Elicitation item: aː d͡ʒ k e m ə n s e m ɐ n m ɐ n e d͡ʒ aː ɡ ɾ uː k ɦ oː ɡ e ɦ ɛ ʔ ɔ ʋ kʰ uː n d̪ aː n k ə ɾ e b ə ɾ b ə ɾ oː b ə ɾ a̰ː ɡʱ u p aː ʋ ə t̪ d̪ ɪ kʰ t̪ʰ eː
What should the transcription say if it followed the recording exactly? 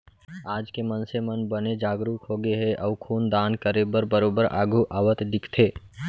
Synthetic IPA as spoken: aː d͡ʒ k e m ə n s e m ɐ n b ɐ n e d͡ʒ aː ɡ ɾ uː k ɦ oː ɡ e ɦ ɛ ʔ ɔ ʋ kʰ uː n d̪ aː n k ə ɾ e b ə ɾ b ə ɾ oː b ə ɾ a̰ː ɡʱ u ʔ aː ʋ ə t̪ d̪ ɪ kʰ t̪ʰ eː